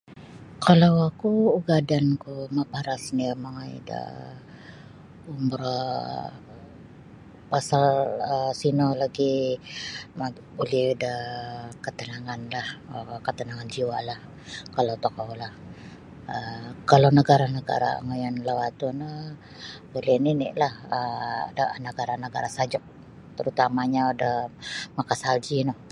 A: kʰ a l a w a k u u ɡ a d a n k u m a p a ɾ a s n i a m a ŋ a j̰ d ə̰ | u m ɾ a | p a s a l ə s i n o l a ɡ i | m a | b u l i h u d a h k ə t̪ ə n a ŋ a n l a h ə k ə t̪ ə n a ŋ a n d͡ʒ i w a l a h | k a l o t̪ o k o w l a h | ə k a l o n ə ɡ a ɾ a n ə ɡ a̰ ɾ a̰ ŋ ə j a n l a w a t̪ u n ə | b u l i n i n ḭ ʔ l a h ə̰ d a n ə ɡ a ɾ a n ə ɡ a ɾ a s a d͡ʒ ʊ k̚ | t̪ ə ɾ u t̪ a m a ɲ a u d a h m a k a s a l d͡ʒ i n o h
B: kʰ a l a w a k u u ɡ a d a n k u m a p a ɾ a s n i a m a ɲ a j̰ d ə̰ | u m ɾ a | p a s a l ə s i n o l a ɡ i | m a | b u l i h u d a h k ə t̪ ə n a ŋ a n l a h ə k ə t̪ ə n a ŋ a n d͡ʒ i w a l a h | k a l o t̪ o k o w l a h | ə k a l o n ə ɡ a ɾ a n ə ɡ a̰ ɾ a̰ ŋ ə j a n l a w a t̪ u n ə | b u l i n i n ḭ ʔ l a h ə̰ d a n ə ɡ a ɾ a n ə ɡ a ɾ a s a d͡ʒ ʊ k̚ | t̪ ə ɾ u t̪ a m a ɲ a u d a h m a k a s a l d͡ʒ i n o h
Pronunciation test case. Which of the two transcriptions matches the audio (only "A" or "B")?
A